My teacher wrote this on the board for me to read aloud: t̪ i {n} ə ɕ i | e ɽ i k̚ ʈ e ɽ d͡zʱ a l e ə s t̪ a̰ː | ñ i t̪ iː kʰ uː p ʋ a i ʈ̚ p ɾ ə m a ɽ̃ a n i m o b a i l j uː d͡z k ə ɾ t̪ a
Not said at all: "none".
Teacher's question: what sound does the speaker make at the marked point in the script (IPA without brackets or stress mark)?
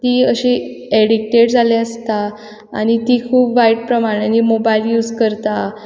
none